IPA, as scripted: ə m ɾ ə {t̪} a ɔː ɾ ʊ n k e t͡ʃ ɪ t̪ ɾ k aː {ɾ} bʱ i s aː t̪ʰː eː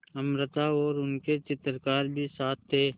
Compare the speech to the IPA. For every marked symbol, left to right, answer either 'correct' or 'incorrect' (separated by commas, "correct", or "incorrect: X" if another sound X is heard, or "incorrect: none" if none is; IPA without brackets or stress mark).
correct, correct